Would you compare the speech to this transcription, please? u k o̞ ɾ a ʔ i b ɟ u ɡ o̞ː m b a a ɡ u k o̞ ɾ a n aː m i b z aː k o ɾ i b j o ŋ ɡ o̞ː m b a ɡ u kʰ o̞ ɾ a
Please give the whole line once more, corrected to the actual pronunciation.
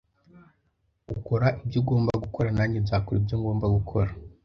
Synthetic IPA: u k o̞ ɾ a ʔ i b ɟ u ɡ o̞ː m b a a ɡ u k o̞ ɾ a n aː ɲ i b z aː k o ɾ i b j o ŋ ɡ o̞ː m b a ɡ u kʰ o̞ ɾ a